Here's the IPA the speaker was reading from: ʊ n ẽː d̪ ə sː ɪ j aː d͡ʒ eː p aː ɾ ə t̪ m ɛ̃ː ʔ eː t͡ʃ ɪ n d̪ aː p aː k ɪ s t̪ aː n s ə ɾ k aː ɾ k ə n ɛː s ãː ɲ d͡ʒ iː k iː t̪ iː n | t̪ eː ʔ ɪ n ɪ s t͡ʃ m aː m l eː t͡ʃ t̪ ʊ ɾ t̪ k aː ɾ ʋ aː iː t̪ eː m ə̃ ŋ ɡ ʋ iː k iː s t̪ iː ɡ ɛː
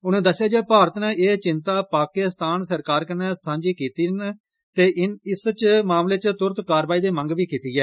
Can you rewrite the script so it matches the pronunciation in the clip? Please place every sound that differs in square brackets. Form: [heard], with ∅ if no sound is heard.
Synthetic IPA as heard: ʊ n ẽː d̪ ə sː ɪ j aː d͡ʒ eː p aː ɾ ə t̪ [n] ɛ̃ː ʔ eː t͡ʃ ɪ n [t̪] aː p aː k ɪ s t̪ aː n s ə ɾ k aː ɾ k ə n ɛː s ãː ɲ d͡ʒ iː k iː t̪ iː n | t̪ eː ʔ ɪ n ɪ s t͡ʃ m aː m l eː t͡ʃ t̪ ʊ ɾ t̪ k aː ɾ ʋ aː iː [d̪] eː m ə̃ ŋ ɡ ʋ iː k iː [∅] t̪ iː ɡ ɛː